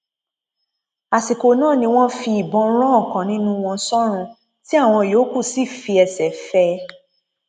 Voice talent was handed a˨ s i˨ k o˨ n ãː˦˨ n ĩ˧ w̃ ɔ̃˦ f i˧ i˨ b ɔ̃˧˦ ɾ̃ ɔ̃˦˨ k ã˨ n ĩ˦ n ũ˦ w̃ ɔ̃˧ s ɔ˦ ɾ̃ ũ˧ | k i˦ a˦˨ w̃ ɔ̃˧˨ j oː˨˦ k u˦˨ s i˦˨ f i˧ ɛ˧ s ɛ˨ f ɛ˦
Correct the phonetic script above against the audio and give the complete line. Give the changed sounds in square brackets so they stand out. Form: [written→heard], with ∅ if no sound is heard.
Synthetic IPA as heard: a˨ s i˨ k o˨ n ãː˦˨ n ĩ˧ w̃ ɔ̃˦ f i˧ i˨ b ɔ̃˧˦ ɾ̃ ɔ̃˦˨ k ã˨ n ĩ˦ n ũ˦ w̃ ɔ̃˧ s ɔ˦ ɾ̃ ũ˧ | [k→t] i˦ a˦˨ w̃ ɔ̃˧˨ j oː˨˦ k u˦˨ s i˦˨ f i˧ ɛ˧ s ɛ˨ f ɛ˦